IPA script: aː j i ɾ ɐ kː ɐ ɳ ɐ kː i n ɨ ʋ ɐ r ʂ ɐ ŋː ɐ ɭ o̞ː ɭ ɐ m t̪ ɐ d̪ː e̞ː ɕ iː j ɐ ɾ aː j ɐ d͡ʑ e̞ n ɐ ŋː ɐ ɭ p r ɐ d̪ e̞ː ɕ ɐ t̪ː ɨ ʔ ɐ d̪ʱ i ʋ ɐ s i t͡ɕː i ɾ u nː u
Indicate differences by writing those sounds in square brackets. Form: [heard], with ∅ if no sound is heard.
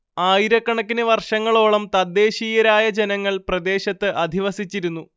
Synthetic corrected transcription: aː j i ɾ ɐ kː ɐ ɳ ɐ kː i n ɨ ʋ ɐ r ʂ ɐ ŋː ɐ ɭ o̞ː ɭ ɐ m t̪ ɐ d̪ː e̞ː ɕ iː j ɐ ɾ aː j ɐ d͡ʑ e̞ n ɐ ŋː ɐ ɭ p r ɐ d̪ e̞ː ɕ ɐ t̪ː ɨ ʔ ɐ d̪ʱ i ʋ ɐ s i t͡ɕː i ɾ u nː u